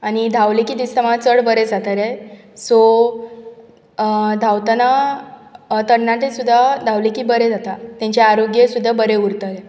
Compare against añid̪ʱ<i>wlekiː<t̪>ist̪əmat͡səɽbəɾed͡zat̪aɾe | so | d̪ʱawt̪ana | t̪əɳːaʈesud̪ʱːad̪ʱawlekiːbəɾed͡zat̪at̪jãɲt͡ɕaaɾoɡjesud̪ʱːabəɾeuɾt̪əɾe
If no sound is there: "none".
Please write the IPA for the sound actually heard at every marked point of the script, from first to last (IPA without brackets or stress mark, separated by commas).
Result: a, d̪